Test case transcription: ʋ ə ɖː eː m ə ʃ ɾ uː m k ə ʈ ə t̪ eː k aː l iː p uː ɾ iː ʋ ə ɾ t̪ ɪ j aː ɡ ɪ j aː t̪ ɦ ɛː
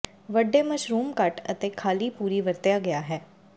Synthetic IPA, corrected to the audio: ʋ ə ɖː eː m ə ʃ ɾ uː m k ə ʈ ə t̪ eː kʰ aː l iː p uː ɾ iː ʋ ə ɾ t̪ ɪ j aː ɡ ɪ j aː ɦ ɛː